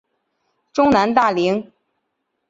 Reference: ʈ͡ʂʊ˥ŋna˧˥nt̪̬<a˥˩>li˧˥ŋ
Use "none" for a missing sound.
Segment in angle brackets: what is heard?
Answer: a˥˩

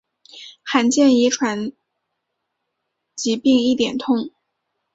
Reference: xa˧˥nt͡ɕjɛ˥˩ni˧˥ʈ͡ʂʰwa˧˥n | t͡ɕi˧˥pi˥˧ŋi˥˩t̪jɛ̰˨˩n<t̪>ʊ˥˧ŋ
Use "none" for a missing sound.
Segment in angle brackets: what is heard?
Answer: t̪ʰ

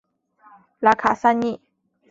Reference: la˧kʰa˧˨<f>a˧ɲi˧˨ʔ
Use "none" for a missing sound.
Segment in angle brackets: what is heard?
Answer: s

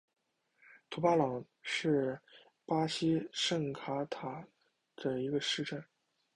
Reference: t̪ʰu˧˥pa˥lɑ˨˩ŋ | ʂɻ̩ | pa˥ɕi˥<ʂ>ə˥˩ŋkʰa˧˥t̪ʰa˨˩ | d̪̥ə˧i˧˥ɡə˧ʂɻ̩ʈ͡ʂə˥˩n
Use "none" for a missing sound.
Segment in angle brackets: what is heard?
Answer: ʂ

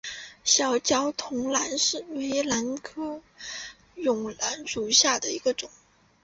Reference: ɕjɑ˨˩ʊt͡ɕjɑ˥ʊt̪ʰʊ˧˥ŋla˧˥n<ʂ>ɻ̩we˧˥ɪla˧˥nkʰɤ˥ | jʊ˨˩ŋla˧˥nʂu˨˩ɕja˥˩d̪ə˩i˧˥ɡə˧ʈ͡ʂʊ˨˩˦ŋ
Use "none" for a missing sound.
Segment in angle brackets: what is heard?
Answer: ʂ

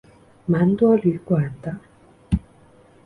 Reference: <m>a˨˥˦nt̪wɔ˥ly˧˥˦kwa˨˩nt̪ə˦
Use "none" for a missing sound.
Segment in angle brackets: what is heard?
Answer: m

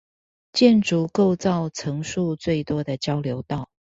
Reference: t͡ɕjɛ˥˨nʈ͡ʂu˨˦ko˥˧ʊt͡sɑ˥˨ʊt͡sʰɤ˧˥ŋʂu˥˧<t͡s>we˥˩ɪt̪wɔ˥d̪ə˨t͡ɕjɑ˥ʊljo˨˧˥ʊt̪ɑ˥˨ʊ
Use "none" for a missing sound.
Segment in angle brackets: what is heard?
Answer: t͡s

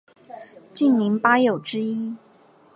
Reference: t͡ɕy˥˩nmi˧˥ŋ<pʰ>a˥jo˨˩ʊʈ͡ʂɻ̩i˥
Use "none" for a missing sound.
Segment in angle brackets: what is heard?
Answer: p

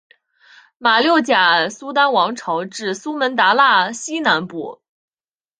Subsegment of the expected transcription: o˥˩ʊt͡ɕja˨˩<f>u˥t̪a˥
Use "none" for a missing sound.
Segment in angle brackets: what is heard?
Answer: s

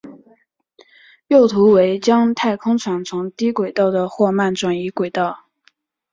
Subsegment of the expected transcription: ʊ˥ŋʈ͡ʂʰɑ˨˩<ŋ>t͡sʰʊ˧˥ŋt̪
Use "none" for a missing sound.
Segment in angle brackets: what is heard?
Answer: ŋ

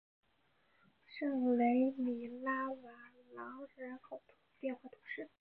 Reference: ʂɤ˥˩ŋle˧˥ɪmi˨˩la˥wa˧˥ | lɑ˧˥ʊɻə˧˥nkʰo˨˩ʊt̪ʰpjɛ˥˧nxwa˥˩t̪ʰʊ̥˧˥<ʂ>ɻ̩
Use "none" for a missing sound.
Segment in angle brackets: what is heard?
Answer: ʂ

